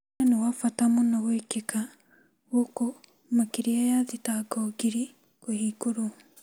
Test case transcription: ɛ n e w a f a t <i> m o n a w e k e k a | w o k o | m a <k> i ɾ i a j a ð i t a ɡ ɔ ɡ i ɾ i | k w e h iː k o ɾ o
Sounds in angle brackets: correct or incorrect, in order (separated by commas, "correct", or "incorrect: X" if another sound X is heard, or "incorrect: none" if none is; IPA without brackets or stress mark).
incorrect: a, correct